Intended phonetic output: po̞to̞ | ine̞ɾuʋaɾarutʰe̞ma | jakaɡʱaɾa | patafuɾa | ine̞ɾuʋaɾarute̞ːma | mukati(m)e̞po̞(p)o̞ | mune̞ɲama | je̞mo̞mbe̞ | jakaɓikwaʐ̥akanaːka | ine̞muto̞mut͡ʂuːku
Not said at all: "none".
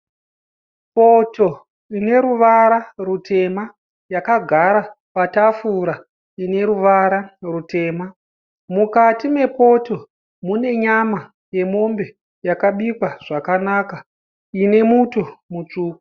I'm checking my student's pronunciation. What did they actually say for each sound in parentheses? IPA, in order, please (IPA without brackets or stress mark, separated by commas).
m, t